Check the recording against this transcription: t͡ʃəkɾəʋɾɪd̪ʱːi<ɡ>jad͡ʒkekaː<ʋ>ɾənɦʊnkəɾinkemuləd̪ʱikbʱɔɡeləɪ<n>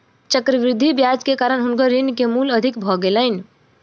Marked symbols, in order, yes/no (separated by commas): no, no, yes